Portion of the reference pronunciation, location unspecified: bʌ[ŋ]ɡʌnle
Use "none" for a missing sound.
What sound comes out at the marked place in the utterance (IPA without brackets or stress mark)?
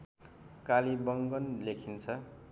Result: ŋ